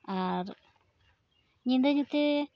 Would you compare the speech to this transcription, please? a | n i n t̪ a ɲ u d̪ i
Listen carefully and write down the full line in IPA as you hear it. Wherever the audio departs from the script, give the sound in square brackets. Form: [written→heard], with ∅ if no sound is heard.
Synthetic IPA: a | [n→ɲ] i n [t̪→d̪] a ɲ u [d̪→t̪] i